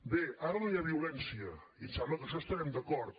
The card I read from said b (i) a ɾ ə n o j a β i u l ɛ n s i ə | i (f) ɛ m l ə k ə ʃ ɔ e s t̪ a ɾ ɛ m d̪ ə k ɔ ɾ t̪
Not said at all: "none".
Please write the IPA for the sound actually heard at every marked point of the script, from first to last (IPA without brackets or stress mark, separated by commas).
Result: e, s